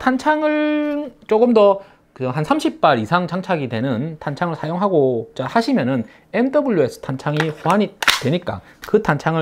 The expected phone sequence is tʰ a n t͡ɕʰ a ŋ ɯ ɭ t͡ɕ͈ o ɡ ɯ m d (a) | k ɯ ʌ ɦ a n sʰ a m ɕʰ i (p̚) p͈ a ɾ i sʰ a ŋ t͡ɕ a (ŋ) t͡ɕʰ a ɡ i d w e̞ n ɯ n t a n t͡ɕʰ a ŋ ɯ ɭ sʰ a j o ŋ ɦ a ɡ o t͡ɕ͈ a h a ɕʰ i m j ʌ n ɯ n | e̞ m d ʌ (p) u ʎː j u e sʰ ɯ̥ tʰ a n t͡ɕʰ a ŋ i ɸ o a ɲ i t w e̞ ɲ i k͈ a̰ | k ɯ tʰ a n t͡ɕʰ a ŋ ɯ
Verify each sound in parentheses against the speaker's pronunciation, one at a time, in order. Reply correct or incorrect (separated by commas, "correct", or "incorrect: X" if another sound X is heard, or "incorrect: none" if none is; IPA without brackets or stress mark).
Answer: incorrect: ʌ, correct, correct, incorrect: b